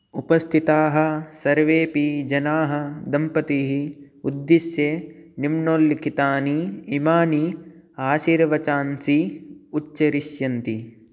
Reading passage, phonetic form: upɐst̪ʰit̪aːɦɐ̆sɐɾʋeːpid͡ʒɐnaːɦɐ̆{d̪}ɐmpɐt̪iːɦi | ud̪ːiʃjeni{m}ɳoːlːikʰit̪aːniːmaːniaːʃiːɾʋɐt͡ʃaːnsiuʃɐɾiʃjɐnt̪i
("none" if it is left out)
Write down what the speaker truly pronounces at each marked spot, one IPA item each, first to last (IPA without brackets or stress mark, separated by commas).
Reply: d̪, m